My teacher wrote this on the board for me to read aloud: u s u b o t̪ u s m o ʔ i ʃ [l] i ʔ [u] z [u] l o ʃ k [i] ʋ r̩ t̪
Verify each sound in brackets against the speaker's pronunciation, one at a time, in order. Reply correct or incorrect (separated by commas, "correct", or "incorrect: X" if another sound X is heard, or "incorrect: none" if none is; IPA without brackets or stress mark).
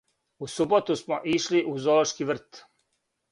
correct, correct, incorrect: o, correct